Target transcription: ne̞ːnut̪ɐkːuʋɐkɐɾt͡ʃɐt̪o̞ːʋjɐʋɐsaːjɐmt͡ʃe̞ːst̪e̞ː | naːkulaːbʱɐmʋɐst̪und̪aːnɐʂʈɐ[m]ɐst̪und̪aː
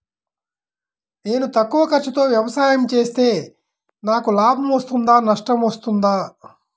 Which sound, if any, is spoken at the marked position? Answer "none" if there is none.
m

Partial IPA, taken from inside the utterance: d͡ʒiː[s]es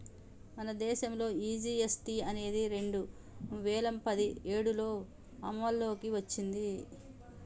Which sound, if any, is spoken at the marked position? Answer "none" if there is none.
none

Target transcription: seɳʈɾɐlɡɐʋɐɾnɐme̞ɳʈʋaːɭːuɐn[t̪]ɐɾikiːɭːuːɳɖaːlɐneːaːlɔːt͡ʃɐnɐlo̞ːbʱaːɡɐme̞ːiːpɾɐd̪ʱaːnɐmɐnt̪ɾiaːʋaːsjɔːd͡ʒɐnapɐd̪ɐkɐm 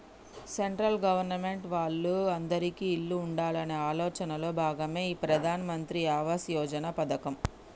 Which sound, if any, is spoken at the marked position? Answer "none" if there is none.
d̪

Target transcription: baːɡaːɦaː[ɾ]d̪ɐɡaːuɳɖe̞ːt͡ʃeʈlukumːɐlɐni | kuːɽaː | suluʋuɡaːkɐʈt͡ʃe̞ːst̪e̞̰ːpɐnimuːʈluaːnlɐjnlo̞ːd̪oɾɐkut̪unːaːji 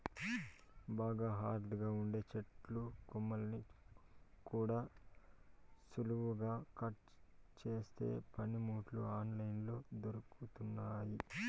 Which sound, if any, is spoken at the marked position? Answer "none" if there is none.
ɾ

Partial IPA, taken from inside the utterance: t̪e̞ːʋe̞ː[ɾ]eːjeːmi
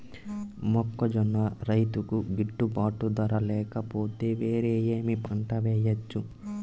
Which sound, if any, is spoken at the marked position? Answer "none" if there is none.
ɾ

